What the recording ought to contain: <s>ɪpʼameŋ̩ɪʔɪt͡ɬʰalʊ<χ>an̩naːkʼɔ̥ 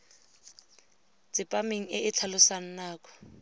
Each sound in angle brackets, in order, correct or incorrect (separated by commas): incorrect, incorrect